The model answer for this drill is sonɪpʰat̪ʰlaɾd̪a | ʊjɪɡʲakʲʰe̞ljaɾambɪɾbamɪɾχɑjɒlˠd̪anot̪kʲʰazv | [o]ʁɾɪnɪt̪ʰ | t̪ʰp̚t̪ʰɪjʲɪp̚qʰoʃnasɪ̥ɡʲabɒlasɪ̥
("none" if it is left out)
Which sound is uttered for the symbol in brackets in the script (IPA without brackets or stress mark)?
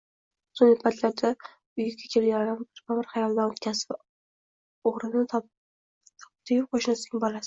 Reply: o